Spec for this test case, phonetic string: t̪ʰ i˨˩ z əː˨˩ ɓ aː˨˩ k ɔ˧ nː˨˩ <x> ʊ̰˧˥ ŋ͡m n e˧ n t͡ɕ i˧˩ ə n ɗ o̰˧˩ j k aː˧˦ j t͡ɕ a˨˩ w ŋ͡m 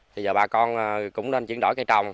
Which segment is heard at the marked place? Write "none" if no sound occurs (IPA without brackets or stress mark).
k